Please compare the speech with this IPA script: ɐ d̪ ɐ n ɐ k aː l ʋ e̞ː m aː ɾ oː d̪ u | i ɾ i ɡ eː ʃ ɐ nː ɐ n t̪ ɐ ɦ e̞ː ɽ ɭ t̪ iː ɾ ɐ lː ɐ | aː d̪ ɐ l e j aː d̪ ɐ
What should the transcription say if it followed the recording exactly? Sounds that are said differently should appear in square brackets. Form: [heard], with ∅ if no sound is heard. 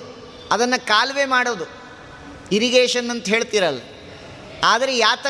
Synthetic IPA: ɐ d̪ ɐ [nː] ɐ k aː l ʋ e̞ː m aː [ɽ] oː d̪ u | i ɾ i ɡ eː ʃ ɐ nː ɐ n t̪ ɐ ɦ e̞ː [∅] ɭ t̪ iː ɾ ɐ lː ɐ | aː d̪ ɐ [ɾ] e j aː [t̪] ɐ